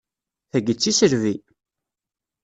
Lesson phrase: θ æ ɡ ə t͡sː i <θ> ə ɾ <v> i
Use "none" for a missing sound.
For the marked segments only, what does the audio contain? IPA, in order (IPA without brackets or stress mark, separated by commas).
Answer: s, v